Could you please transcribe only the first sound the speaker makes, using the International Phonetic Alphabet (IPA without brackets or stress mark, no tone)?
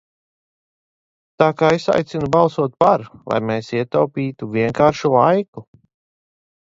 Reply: t̪